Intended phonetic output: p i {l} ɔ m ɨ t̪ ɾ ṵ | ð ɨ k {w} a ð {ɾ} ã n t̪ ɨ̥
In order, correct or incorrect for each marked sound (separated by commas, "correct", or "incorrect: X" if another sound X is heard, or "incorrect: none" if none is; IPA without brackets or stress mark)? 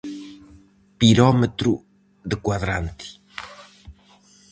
incorrect: ɾ, correct, correct